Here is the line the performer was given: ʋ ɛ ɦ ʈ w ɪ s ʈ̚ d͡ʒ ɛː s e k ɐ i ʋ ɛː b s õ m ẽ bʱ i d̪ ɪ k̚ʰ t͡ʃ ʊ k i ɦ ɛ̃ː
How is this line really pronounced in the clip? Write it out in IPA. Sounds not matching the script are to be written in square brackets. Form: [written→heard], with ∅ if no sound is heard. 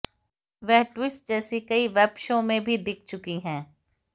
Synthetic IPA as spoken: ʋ ɛ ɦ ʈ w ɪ s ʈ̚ d͡ʒ ɛː s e k ɐ i ʋ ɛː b [s→ʃ] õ m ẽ bʱ i d̪ ɪ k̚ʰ t͡ʃ ʊ k i ɦ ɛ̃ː

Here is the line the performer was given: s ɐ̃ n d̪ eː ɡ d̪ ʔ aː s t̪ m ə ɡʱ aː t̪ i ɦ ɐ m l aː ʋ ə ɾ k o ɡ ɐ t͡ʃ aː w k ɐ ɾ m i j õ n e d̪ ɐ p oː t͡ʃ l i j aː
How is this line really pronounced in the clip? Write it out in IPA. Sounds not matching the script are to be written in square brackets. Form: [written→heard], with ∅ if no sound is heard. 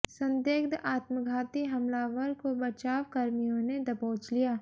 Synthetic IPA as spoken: s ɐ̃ n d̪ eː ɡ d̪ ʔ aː [s→∅] t̪ m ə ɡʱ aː t̪ i ɦ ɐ m l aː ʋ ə ɾ k o [ɡ→b] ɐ t͡ʃ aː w k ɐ ɾ m i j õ n e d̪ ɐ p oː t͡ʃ l i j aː

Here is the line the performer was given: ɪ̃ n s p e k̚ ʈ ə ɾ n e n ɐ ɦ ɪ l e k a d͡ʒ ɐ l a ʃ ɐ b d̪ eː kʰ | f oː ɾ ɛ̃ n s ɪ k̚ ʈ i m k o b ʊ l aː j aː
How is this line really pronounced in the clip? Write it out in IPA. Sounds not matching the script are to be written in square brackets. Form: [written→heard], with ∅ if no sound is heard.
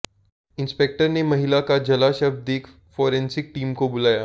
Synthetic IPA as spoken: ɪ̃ n s p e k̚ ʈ ə ɾ n e [n→m] ɐ ɦ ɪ l [e→a] k a d͡ʒ ɐ l a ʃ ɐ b d̪ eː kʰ | f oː ɾ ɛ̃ n s ɪ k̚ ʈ [i→iː] m k o b ʊ l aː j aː

